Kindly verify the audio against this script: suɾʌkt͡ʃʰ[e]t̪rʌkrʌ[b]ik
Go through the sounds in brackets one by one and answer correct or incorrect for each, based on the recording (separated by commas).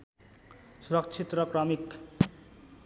incorrect, incorrect